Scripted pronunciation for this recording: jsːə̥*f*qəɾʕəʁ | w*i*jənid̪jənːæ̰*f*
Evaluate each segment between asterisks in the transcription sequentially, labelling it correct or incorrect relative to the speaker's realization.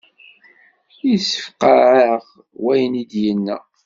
correct, incorrect, incorrect

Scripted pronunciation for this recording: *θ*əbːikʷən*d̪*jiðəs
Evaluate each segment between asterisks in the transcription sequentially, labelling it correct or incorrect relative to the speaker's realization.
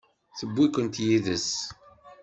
correct, incorrect

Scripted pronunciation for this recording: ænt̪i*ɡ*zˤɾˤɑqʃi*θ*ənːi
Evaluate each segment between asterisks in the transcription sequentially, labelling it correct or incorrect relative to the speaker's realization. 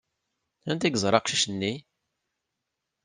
correct, incorrect

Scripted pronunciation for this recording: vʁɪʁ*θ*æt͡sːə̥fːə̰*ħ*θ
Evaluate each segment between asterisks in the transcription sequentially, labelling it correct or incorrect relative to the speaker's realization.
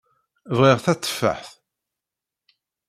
correct, correct

